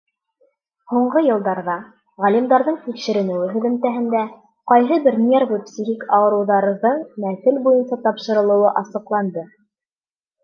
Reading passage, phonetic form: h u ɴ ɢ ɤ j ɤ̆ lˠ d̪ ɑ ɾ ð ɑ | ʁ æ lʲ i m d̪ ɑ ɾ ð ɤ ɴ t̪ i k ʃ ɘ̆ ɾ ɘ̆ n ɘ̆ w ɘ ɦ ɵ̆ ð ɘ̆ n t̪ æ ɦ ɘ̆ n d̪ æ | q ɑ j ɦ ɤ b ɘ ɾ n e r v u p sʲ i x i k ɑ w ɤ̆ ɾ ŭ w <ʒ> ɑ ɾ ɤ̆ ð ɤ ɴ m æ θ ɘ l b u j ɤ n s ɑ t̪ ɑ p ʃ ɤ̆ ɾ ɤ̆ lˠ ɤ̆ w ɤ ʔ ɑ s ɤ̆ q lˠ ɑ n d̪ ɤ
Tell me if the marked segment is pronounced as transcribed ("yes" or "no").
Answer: no